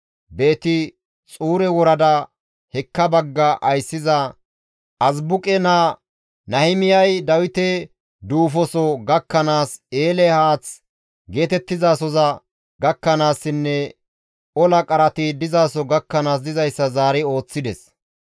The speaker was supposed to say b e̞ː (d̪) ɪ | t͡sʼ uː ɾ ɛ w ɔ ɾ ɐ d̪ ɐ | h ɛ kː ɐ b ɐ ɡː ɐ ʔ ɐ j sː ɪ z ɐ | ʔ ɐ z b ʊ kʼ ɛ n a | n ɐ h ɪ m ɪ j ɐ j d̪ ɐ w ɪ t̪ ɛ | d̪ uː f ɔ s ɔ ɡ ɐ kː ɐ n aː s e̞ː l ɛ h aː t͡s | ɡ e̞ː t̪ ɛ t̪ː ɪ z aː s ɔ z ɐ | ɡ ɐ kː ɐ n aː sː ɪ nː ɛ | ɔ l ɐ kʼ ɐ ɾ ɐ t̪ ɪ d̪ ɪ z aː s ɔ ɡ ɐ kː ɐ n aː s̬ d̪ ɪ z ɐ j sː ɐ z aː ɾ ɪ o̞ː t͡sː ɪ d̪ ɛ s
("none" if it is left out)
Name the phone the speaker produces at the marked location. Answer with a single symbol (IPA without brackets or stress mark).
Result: t̪